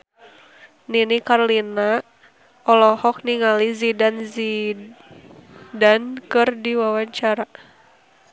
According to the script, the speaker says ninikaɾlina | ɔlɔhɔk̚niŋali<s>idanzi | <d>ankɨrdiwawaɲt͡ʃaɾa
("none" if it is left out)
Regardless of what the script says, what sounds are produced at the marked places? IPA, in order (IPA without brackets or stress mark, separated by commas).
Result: z, d